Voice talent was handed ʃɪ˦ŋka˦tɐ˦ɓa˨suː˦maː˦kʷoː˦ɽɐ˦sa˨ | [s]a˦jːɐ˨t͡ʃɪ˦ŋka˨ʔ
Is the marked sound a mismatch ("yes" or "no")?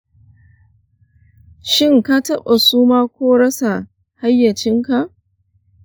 yes